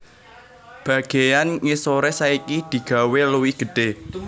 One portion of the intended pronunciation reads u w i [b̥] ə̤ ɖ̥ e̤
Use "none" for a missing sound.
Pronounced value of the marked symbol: ɡ̥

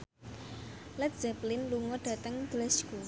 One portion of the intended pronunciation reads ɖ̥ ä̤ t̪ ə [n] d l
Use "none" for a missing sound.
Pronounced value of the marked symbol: ŋ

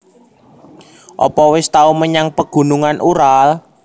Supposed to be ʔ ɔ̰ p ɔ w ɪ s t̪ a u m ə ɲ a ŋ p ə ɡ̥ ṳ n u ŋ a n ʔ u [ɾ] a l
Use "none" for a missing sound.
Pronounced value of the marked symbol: ɾ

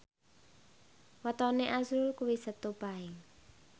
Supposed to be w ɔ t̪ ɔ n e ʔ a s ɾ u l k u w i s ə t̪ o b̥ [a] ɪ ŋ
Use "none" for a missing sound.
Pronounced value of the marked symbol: a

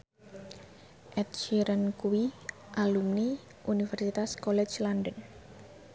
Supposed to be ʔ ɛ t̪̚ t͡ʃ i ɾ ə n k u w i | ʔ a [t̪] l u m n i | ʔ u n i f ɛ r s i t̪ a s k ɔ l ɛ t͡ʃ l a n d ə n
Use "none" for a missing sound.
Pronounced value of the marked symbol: none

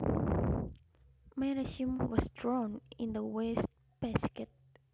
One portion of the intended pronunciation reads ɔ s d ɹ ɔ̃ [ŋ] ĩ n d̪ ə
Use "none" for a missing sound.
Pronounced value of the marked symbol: n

